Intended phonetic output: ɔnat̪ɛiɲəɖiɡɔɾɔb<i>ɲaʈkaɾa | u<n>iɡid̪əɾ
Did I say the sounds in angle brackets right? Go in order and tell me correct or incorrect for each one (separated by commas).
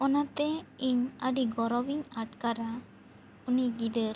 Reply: correct, correct